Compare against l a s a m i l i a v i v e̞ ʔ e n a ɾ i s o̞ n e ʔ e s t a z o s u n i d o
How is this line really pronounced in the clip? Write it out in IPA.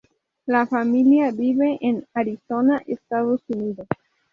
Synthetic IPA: l a f a m i l i a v i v e̞ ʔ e n a ɾ i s o̞ n a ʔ e s t a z o s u n i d o